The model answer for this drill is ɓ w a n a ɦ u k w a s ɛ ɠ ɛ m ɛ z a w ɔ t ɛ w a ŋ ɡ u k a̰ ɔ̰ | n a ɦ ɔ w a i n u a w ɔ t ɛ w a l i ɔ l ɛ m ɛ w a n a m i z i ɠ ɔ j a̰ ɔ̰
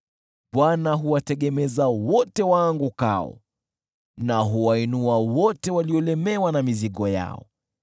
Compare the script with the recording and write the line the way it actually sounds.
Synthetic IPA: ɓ w a n a ɦ u w a t ɛ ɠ ɛ m ɛ z a w ɔ t ɛ w a ŋ ɡ u k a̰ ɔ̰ | n a ɦ u w a i n u a w ɔ t ɛ w a l i ɔ l ɛ m ɛ w a n a m i z i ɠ ɔ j a̰ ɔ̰